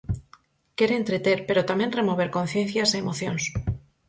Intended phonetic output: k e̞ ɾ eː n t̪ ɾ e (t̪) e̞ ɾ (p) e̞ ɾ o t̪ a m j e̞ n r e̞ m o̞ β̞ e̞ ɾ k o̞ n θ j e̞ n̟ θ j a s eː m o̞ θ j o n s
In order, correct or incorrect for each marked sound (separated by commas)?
correct, correct